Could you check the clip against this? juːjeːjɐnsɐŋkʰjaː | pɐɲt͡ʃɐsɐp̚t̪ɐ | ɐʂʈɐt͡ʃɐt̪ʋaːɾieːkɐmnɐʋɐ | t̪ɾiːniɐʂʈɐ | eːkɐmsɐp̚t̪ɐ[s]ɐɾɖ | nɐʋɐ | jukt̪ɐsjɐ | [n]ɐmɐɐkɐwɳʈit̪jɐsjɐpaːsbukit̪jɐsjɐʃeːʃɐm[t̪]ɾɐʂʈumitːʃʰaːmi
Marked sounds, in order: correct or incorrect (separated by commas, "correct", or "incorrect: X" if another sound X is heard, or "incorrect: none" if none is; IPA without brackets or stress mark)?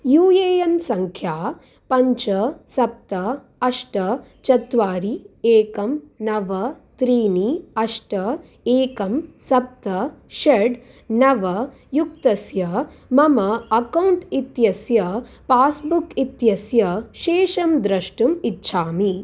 incorrect: ʃ, incorrect: m, incorrect: d̪